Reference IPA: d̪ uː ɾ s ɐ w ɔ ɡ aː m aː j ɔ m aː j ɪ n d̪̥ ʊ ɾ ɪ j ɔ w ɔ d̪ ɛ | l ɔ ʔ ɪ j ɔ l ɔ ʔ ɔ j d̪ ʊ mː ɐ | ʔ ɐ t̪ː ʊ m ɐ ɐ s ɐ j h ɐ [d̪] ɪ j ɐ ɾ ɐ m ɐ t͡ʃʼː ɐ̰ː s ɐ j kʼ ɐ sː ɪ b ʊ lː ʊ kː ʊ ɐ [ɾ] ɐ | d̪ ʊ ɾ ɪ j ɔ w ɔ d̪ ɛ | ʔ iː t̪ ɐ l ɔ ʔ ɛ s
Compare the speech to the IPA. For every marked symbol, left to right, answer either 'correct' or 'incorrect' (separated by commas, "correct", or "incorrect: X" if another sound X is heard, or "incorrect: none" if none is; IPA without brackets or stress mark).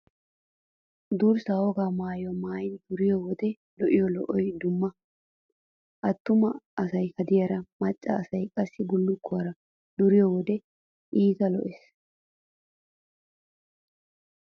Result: correct, correct